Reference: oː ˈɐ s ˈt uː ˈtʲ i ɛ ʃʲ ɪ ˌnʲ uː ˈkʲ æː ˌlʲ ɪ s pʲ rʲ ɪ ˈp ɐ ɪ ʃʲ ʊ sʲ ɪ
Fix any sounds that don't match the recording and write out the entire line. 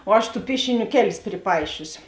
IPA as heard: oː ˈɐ ʃ ˈt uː ˈpʲ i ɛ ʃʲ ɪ ˌnʲ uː ˈkʲ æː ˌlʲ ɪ s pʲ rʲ ɪ ˈp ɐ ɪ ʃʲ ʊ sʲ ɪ